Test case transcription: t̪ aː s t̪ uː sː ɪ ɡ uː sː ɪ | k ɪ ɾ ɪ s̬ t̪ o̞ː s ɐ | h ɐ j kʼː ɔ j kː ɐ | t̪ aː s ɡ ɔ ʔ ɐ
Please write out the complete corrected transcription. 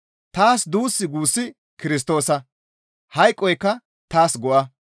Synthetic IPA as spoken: t̪ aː s d̪ uː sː ɪ ɡ uː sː ɪ | k ɪ ɾ ɪ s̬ t̪ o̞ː s ɐ | h ɐ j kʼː ɔ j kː ɐ | t̪ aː s ɡ ɔ ʔ ɐ